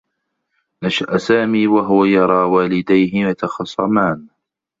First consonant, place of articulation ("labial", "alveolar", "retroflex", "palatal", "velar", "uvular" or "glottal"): alveolar